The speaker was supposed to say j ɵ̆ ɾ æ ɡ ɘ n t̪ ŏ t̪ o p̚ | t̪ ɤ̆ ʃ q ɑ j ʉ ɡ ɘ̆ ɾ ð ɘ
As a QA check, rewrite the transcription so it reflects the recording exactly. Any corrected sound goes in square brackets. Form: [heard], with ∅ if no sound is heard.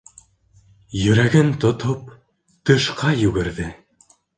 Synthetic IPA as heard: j ɵ̆ ɾ æ ɡ ɘ n t̪ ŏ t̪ o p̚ | t̪ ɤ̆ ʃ q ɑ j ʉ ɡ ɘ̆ ɾ ð ɘ